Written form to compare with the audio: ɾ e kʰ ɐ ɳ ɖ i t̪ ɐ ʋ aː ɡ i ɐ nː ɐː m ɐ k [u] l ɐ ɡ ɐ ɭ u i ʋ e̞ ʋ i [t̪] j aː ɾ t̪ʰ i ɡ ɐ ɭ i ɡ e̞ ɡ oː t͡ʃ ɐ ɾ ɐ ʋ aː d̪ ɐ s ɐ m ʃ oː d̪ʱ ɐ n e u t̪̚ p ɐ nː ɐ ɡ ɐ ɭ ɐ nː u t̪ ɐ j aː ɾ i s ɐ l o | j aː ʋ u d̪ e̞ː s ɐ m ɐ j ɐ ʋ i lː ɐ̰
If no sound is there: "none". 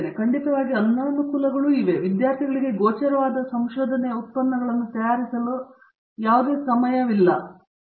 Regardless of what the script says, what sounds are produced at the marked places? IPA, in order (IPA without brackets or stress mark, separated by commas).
u, d̪